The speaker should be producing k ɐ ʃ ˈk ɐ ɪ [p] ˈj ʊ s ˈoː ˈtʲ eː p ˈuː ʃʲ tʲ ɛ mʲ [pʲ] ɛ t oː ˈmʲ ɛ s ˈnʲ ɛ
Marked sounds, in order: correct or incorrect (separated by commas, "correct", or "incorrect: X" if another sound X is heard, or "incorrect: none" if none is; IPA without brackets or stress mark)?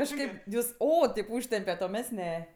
correct, correct